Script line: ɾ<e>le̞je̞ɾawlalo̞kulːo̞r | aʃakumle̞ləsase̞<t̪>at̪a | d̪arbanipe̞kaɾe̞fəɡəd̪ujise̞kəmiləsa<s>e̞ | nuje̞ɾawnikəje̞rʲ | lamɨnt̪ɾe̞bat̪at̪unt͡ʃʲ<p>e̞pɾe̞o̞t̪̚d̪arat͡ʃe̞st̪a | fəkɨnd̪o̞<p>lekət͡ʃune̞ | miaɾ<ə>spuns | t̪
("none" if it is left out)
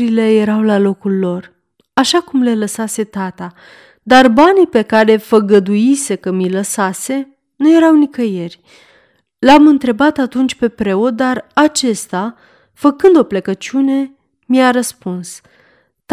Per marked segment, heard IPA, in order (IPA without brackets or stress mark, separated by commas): i, t̪, s, p, p, ə